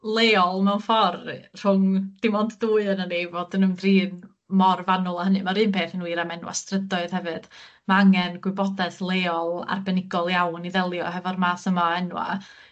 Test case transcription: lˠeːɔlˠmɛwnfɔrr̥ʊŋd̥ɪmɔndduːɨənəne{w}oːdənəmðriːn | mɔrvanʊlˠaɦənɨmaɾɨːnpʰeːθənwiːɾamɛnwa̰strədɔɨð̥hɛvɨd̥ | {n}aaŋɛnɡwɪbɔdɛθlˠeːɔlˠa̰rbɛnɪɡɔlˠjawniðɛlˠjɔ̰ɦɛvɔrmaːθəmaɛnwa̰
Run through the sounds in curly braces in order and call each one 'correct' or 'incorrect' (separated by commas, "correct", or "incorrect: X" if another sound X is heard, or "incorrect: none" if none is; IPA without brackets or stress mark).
incorrect: v, incorrect: m